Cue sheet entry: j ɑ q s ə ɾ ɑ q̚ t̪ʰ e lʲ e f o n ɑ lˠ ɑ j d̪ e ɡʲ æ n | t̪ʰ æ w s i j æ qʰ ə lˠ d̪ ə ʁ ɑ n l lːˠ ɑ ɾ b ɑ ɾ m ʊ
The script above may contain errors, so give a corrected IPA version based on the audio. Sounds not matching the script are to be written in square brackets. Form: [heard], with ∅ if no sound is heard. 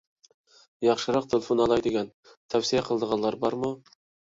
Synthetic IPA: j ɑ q [ʃ] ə ɾ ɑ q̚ t̪ʰ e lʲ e f o n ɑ lˠ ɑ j d̪ e ɡʲ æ n | t̪ʰ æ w s i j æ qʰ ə lˠ d̪ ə ʁ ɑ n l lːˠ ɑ ɾ b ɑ ɾ m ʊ